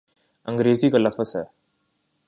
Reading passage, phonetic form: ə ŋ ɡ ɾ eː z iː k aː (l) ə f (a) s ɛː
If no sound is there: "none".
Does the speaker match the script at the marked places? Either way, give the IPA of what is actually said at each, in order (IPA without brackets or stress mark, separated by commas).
l, ə